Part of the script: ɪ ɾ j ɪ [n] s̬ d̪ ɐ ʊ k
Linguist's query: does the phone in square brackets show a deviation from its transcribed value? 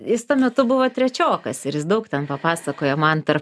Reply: yes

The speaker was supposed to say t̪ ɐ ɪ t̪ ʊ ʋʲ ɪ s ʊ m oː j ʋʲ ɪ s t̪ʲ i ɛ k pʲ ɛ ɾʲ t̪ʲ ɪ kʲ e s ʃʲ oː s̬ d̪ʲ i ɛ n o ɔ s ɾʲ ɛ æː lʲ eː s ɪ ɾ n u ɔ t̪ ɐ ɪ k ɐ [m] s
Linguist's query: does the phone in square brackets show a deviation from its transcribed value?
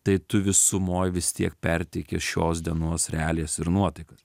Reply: yes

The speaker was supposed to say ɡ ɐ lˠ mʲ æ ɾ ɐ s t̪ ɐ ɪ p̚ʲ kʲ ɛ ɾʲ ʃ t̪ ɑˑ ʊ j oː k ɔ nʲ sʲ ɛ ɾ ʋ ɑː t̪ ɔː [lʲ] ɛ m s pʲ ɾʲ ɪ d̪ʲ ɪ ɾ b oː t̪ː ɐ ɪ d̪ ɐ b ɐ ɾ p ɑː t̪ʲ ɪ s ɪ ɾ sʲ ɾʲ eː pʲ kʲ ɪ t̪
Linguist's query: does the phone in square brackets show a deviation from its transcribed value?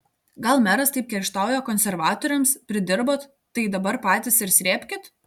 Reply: yes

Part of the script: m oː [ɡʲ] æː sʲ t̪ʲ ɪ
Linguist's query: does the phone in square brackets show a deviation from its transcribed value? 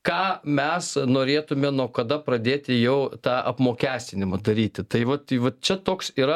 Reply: yes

